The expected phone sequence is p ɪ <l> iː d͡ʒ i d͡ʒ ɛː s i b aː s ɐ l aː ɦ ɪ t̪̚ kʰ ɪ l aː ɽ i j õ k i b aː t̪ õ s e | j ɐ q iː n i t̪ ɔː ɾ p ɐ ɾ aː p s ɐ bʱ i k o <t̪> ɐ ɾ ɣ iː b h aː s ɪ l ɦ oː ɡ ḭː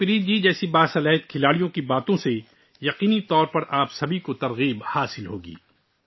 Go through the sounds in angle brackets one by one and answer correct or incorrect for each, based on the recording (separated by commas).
incorrect, correct